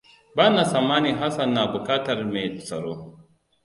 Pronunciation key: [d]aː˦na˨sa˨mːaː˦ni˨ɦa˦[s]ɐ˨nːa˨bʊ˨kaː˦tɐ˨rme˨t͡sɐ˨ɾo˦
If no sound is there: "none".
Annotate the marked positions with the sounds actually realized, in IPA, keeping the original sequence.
b, s

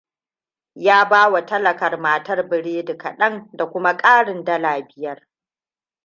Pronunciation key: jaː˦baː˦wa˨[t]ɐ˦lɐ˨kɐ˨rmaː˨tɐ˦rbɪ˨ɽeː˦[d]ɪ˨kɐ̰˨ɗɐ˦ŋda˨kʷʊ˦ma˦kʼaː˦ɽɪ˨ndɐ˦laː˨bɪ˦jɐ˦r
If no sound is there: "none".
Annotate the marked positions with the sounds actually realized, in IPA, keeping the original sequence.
t, d

